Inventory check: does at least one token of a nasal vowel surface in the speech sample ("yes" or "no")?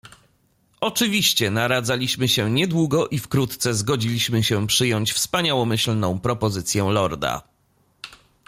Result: yes